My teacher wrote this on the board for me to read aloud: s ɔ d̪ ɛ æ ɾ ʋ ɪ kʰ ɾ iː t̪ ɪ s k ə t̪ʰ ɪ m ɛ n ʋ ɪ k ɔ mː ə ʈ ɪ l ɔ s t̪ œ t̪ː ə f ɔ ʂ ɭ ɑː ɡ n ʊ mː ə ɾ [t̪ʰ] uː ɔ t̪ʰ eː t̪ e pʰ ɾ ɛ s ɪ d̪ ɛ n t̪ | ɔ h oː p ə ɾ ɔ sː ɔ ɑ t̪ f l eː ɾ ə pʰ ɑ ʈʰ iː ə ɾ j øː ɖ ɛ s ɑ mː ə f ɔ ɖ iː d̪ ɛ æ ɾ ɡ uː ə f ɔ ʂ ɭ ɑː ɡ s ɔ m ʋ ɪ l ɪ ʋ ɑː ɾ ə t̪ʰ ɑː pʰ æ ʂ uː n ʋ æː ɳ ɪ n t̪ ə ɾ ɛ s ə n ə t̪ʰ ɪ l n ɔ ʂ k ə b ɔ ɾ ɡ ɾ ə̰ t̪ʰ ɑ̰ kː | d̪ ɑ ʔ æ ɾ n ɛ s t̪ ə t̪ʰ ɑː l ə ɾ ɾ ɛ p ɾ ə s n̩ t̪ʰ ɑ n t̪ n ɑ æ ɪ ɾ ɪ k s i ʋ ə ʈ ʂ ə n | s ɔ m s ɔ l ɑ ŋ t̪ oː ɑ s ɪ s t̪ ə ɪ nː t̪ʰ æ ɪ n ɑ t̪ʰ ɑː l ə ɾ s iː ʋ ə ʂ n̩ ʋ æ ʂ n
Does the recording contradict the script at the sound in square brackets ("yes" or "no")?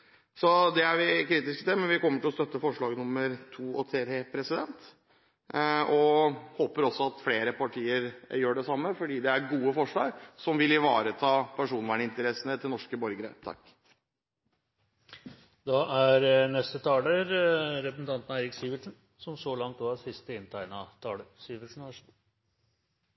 no